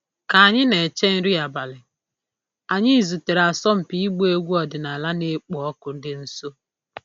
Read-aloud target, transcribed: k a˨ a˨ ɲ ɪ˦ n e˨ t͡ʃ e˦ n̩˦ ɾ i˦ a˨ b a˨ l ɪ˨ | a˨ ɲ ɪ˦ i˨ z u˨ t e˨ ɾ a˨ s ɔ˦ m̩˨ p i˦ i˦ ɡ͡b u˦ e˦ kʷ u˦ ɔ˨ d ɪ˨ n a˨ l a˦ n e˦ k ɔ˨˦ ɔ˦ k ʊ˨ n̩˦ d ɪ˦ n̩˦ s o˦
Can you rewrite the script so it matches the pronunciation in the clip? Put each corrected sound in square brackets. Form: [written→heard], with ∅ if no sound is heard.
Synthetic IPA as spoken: k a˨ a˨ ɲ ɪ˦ n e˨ t͡ʃ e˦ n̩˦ ɾ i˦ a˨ b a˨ l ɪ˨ | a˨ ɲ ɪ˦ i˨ z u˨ t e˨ ɾ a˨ s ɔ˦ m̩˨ p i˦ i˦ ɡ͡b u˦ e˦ [kʷ→ɡʷ] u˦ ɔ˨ d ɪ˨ n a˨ l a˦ n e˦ [k→k͡p] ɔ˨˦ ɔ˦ k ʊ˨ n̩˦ d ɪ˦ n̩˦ s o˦